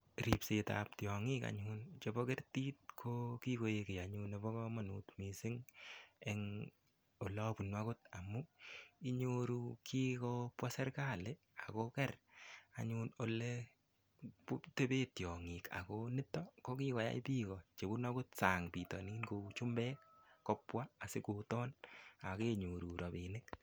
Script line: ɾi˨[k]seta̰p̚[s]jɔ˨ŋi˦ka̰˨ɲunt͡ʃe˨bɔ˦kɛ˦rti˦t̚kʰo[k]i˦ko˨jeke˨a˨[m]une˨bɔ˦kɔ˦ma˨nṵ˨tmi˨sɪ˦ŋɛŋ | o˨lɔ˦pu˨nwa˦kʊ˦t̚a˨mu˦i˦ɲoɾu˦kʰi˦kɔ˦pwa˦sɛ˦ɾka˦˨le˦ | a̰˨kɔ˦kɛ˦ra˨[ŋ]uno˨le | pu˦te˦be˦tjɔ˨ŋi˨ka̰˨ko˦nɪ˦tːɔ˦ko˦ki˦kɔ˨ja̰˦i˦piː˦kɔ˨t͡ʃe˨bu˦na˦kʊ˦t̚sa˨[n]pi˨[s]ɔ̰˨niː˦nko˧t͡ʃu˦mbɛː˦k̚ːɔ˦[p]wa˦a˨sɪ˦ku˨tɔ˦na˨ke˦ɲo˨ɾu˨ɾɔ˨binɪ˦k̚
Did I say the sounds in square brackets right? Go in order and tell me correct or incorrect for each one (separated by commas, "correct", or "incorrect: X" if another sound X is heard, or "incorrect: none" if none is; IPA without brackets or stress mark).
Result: incorrect: p, incorrect: t, correct, incorrect: ɲ, incorrect: ɲ, incorrect: ŋ, incorrect: t, correct